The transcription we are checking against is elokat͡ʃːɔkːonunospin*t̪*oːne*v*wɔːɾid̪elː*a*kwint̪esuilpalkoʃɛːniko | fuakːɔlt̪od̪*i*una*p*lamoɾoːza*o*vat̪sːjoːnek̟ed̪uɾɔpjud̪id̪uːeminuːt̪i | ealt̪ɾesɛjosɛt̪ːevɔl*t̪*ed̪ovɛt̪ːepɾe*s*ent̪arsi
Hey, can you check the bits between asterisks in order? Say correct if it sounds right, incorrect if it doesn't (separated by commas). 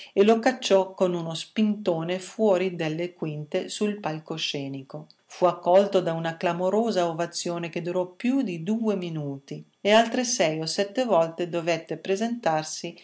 correct, incorrect, incorrect, incorrect, incorrect, correct, correct, incorrect